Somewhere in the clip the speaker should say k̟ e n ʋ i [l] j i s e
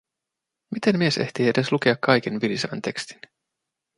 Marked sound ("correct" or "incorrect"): correct